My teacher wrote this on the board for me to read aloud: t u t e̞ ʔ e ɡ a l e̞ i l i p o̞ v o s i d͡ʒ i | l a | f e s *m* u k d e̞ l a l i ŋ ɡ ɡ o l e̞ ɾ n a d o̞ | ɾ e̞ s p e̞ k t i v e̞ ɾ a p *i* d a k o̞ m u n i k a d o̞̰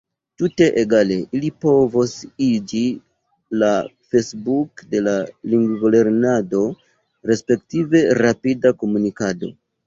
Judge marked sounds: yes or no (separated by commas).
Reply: no, yes